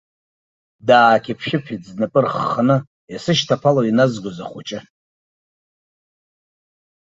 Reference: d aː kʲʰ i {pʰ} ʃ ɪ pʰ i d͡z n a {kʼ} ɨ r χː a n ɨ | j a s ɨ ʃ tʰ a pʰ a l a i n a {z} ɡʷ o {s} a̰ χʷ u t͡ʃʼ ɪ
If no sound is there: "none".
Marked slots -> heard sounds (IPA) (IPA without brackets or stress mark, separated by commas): pʰ, pʼ, z, z